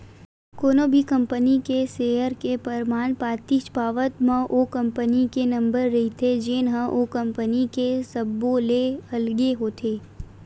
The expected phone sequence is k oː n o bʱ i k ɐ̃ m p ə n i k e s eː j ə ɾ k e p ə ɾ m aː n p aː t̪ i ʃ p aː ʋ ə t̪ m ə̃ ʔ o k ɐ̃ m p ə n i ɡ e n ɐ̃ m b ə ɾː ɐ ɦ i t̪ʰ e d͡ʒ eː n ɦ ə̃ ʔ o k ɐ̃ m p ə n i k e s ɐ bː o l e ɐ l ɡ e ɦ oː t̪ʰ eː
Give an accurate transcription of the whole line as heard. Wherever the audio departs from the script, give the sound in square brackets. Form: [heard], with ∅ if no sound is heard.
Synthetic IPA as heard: k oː n o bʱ i k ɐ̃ m p ə n i k e s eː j ə ɾ k e p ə ɾ m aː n p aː t̪ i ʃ p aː ʋ ə t̪ m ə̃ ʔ o k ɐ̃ m p ə n i [k] e n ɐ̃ m b ə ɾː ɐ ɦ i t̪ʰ e d͡ʒ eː n ɦ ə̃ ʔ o k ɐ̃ m p ə n i k e s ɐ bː o l e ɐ l ɡ e ɦ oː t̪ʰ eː